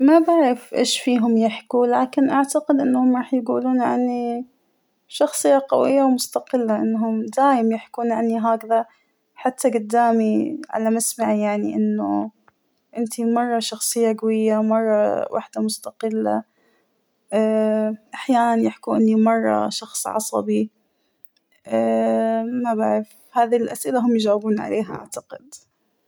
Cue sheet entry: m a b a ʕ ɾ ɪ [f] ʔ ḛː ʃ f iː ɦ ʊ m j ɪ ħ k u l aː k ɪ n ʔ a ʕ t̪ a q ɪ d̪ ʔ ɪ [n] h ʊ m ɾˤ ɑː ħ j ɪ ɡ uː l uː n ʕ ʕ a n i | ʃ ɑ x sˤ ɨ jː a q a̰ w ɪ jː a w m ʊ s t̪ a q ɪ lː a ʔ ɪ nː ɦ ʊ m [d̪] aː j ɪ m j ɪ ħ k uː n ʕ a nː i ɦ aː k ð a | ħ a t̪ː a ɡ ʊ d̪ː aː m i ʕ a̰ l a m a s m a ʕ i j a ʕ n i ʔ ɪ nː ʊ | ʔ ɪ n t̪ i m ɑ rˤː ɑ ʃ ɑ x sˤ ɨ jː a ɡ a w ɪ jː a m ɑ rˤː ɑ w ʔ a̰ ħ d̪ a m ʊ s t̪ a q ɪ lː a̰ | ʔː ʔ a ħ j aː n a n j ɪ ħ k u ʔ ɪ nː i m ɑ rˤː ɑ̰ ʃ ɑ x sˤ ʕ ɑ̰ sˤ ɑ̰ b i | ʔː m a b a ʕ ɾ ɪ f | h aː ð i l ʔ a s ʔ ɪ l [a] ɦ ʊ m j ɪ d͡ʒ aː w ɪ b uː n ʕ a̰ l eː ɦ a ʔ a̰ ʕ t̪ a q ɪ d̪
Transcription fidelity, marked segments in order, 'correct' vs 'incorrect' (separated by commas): correct, incorrect, correct, correct